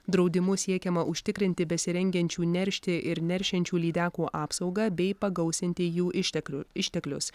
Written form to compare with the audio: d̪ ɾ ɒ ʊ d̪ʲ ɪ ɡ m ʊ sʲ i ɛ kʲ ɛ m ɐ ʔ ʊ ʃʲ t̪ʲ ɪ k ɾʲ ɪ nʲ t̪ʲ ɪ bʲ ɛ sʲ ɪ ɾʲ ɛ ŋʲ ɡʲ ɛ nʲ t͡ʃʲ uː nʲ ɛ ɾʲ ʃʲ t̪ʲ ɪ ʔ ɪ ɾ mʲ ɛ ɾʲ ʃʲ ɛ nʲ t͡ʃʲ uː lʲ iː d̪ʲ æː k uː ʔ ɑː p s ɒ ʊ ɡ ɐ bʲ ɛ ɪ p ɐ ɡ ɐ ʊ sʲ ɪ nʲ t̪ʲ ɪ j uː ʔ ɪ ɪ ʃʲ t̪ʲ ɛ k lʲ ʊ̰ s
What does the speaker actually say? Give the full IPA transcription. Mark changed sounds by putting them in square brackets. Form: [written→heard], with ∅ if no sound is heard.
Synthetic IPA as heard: d̪ ɾ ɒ ʊ d̪ʲ ɪ [ɡ→∅] m ʊ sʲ i ɛ kʲ ɛ m ɐ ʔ ʊ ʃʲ t̪ʲ ɪ k ɾʲ ɪ nʲ t̪ʲ ɪ bʲ ɛ sʲ ɪ ɾʲ ɛ ŋʲ ɡʲ ɛ nʲ t͡ʃʲ uː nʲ ɛ ɾʲ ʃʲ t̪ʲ ɪ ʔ ɪ ɾ [mʲ→nʲ] ɛ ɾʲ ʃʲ ɛ nʲ t͡ʃʲ uː lʲ iː d̪ʲ æː k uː ʔ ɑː p s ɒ ʊ ɡ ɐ bʲ ɛ ɪ p ɐ ɡ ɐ ʊ sʲ ɪ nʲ t̪ʲ ɪ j uː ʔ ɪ ɪ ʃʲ t̪ʲ ɛ k lʲ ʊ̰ s